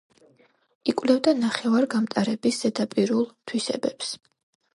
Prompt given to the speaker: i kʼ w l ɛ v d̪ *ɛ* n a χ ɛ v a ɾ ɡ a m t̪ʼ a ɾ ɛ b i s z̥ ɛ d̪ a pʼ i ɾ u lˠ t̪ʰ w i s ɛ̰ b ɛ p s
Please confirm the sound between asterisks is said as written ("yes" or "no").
no